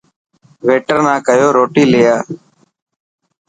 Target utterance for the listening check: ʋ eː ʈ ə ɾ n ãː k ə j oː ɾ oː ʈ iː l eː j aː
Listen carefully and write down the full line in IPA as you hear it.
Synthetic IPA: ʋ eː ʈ ə ɾ n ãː k ə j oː ɾ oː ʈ iː l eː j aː